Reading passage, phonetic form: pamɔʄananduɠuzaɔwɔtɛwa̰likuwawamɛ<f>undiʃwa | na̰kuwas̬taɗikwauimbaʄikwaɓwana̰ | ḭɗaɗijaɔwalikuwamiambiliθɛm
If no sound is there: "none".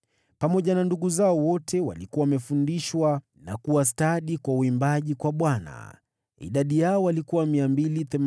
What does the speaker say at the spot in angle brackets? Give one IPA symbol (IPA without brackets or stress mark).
f